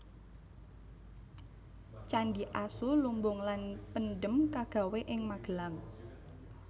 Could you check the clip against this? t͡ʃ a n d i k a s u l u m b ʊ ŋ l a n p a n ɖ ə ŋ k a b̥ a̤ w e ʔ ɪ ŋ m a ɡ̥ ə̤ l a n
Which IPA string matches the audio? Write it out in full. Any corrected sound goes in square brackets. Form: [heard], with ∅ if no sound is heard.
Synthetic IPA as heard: t͡ʃ a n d i [ʔ] a s u l u m b ʊ ŋ l a n p [ə] n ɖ ə [m] k a [ɡ̥] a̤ w e ʔ ɪ ŋ m a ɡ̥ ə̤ l a [ŋ]